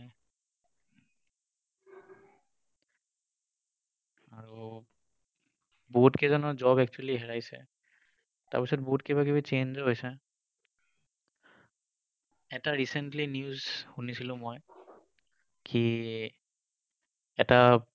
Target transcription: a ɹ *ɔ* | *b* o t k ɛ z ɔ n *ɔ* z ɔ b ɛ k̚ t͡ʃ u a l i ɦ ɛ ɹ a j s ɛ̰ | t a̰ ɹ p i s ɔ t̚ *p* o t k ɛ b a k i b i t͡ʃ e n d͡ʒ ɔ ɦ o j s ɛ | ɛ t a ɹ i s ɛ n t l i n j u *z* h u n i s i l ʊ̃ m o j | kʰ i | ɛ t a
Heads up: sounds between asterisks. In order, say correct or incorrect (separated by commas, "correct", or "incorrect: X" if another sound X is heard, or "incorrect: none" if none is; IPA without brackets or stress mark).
incorrect: u, correct, correct, incorrect: b, correct